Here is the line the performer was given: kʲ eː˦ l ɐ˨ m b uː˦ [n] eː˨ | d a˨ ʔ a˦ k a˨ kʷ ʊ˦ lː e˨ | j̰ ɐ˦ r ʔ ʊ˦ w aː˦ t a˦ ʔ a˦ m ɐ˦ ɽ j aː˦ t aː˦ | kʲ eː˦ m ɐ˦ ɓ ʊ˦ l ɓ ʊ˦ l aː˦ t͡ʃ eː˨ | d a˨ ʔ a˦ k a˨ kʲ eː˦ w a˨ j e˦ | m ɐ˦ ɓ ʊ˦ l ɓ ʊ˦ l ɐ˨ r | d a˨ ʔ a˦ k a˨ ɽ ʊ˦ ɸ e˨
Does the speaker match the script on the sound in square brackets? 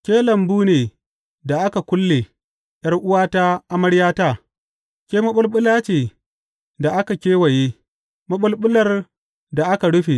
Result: yes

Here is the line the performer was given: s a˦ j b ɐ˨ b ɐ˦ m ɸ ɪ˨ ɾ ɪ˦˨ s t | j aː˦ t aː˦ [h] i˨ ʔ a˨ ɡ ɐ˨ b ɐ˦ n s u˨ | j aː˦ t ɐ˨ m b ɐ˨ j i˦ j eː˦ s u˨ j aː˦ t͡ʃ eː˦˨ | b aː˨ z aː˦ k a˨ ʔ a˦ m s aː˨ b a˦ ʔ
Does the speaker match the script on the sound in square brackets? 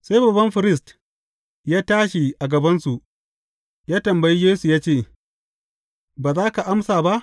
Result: no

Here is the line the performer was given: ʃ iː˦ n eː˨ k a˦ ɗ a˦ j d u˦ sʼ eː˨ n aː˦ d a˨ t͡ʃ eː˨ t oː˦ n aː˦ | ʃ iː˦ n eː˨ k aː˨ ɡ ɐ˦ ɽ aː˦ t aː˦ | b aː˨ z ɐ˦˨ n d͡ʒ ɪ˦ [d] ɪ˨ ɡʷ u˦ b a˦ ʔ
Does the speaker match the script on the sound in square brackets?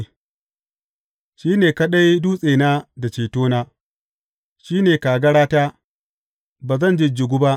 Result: no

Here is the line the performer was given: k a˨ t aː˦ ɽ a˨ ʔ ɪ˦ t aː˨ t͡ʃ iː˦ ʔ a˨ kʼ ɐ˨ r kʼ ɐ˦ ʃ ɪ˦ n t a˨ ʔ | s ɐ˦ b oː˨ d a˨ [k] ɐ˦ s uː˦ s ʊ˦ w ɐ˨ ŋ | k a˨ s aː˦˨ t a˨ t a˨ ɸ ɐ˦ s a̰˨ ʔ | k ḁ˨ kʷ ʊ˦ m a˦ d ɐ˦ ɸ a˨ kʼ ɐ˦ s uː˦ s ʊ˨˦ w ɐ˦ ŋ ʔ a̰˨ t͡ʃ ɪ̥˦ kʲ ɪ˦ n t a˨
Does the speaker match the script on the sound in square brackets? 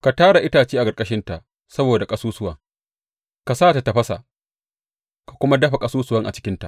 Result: no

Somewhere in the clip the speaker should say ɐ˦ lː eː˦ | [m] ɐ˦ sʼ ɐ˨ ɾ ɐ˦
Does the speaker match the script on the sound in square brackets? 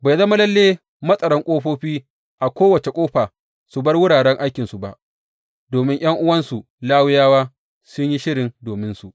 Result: yes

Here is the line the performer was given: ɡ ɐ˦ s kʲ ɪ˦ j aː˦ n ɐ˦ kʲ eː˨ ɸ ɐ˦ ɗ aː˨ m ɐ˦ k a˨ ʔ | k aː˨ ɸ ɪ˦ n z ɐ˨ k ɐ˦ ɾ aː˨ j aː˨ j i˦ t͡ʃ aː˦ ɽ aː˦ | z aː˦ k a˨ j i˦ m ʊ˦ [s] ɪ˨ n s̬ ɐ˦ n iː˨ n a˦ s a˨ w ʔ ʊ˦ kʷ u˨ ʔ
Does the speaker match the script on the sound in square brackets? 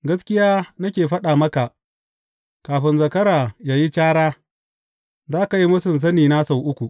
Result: yes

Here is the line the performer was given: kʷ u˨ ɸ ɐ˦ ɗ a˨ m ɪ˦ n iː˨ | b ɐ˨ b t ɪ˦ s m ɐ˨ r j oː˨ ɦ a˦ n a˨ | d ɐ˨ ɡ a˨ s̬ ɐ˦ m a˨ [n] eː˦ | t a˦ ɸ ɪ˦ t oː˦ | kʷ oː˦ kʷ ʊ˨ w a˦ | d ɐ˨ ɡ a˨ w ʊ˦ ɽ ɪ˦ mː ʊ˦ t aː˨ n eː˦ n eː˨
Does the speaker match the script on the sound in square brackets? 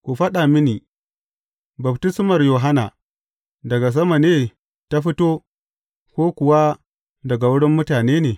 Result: yes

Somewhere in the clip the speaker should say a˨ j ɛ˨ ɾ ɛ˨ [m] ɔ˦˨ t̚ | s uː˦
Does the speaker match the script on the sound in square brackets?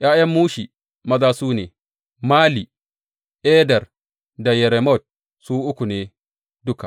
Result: yes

